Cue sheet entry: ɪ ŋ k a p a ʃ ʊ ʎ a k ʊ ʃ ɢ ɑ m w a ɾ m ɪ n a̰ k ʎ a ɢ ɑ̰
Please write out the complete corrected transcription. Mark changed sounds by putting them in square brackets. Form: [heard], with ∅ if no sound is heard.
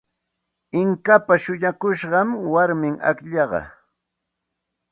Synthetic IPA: ɪ ŋ k a p a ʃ ʊ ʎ a k ʊ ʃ ɢ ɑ m w a ɾ m ɪ [ŋ] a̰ k ʎ [ɑ] ɢ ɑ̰